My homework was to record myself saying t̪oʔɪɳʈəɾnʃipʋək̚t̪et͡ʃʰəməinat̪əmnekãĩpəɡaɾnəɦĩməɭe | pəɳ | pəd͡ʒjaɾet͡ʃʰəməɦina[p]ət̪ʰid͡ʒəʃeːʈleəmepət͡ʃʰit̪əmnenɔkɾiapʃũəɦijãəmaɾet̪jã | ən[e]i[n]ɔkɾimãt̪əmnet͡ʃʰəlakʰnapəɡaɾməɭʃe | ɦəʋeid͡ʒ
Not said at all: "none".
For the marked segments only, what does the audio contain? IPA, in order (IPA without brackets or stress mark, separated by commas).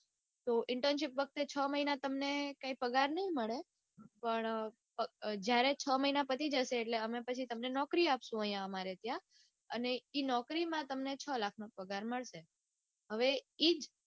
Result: p, e, n